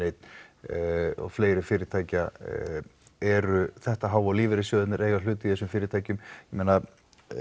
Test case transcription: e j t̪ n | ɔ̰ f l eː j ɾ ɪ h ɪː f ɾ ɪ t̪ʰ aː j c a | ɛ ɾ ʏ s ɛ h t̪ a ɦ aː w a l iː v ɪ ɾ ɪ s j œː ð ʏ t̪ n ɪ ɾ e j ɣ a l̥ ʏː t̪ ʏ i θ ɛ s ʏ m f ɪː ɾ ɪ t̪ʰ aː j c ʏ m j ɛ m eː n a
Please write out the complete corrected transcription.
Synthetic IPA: e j t̪ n | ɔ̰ f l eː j ɾ ɪ f ɪː ɾ ɪ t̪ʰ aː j c a | ɛ ɾ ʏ θ ɛ h t̪ a ɦ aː w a l iː v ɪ ɾ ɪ s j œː ð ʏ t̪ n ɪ ɾ e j ɣ a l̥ ʏː t̪ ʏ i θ ɛ s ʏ m f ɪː ɾ ɪ t̪ʰ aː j c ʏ m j ɛ m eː n a